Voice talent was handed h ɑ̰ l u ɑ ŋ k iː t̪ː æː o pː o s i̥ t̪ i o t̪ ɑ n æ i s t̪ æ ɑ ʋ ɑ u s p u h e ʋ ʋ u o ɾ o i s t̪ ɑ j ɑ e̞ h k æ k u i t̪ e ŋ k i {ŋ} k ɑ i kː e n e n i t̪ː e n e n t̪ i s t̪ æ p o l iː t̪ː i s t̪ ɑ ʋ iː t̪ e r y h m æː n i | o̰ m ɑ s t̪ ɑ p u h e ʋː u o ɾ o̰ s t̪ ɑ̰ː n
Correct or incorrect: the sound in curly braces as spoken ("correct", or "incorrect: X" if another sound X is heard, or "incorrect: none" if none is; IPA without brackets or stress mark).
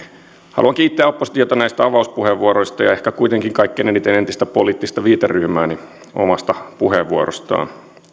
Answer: correct